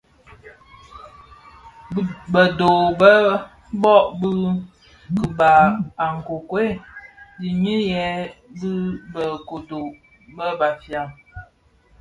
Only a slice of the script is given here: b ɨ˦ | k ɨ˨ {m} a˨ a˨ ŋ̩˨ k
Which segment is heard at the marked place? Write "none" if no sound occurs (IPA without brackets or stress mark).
b